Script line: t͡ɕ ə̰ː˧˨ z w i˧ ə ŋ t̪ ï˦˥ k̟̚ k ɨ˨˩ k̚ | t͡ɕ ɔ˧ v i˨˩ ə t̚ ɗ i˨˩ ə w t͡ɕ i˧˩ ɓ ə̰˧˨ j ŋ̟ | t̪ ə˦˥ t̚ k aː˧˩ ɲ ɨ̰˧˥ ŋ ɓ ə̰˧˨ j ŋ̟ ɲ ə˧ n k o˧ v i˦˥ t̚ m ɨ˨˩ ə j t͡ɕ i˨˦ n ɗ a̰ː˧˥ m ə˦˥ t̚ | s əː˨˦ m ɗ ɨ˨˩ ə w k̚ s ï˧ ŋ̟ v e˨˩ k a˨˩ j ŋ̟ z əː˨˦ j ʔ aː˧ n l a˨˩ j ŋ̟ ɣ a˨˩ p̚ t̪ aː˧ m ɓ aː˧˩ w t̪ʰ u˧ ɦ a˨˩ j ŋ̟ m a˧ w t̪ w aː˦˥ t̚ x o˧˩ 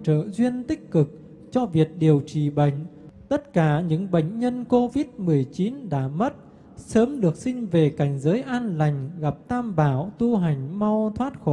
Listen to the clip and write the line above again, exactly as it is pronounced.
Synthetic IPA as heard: t͡ɕ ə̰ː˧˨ z w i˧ ə n t̪ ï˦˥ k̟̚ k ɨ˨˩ k̚ | t͡ɕ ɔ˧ v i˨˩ ə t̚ ɗ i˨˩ ə w t͡ɕ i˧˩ ɓ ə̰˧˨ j ŋ̟ | t̪ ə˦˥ t̚ k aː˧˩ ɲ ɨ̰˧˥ ŋ ɓ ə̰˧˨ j ŋ̟ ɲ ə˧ n k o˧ v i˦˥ t̚ m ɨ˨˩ ə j t͡ɕ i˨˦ n ɗ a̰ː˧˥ m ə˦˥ t̚ | s əː˨˦ m ɗ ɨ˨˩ ə k̚ s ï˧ ŋ̟ v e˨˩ k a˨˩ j ŋ̟ z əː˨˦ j ʔ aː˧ n l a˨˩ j ŋ̟ ɣ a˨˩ p̚ t̪ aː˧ m ɓ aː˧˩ w t̪ u˧ ɦ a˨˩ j ŋ̟ m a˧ w t̪ʰ w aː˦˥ t̚ x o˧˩